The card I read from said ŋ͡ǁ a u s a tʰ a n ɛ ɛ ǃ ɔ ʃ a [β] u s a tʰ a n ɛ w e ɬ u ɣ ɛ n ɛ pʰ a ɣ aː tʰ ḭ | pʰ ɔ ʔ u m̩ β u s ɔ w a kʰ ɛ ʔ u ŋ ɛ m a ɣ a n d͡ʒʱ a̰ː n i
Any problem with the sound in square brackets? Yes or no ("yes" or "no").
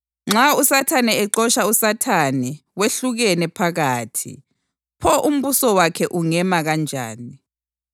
yes